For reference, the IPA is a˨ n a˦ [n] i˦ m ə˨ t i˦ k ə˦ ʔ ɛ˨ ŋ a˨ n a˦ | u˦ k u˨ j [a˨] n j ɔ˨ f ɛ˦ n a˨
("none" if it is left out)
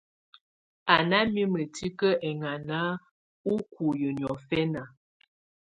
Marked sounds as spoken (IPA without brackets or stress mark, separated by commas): m, ə˨